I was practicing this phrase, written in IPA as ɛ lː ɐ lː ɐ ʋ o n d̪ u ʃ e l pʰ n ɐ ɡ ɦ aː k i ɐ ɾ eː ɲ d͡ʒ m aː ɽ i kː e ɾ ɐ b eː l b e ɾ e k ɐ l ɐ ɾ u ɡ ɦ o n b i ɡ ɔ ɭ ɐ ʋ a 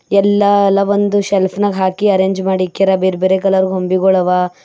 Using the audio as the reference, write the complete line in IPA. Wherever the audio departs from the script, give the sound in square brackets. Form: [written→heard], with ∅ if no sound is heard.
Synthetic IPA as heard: ɛ lː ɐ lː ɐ ʋ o n d̪ u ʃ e l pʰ n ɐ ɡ ɦ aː k i ɐ ɾ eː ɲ d͡ʒ m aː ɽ i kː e ɾ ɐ b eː [l→ɾ] b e ɾ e k ɐ l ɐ ɾ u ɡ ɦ o [n→m] b i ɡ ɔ ɭ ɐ ʋ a

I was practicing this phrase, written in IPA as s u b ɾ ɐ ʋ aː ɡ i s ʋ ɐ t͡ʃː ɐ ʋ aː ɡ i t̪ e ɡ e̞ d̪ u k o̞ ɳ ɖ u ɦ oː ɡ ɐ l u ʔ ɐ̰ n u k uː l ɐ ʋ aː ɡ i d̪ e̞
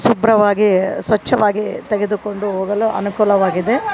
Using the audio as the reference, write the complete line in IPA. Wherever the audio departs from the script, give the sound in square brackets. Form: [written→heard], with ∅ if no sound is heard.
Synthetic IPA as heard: s u b ɾ ɐ ʋ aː ɡ i s ʋ ɐ t͡ʃː ɐ ʋ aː ɡ i t̪ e ɡ e̞ d̪ u k o̞ ɳ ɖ u ɦ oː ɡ ɐ l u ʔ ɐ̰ n u k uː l ɐ ʋ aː ɡ i d̪ e̞

